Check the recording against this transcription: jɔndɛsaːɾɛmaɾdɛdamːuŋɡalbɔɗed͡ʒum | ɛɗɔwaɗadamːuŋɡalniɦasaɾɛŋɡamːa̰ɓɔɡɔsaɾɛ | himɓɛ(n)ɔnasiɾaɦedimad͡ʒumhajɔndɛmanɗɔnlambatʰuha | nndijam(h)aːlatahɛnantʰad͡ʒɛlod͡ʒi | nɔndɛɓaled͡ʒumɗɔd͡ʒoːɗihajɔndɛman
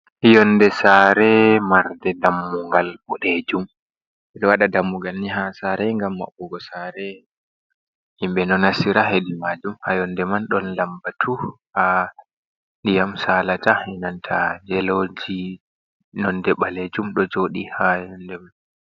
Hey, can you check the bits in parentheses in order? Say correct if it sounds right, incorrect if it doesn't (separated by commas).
correct, incorrect